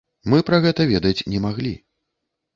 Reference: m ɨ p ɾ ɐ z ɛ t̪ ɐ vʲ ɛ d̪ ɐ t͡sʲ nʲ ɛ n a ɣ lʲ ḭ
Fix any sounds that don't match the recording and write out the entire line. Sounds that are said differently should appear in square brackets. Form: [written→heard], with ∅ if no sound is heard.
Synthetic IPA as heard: m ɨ p ɾ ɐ [z→ɣ] ɛ t̪ ɐ vʲ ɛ d̪ ɐ t͡sʲ nʲ ɛ [n→m] a ɣ lʲ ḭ